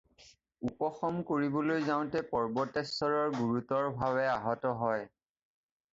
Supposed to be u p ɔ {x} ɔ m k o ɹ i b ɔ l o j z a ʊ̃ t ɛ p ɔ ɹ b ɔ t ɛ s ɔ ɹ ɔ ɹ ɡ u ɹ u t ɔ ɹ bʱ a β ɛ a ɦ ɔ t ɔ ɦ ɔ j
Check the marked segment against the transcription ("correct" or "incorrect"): correct